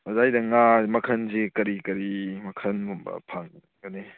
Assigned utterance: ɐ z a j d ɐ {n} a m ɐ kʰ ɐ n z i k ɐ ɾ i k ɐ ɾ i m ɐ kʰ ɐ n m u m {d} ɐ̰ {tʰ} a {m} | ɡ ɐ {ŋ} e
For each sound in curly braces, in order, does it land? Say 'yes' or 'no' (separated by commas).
no, no, no, no, no